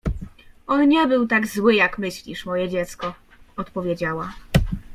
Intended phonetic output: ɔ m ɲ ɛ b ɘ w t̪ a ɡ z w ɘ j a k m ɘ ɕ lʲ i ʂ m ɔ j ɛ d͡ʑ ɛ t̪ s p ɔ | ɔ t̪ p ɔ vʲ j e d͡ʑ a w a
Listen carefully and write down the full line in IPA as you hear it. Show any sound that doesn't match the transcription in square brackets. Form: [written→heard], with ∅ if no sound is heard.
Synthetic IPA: ɔ [m→n] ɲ ɛ b ɘ w t̪ a ɡ z w ɘ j a k m ɘ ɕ lʲ i ʂ m ɔ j ɛ d͡ʑ ɛ t̪ s [p→k] ɔ | ɔ t̪ p ɔ vʲ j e d͡ʑ a w a